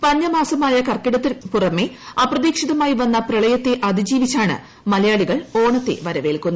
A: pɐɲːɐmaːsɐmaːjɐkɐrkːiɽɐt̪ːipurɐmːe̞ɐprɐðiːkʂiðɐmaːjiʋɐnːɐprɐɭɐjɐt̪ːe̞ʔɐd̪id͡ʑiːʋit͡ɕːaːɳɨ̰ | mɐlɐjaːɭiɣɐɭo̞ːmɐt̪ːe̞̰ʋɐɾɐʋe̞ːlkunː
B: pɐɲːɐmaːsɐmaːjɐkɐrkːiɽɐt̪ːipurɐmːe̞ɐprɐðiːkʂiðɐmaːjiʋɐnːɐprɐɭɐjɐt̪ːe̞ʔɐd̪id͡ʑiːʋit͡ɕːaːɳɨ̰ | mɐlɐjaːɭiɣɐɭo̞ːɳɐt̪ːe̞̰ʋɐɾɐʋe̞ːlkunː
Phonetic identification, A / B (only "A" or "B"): B